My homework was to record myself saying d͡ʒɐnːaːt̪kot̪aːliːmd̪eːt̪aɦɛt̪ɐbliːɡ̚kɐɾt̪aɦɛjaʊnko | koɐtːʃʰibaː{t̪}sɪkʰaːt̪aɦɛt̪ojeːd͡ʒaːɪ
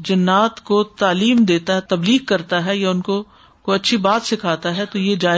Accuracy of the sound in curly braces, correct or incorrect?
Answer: correct